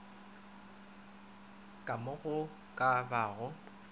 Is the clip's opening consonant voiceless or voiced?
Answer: voiceless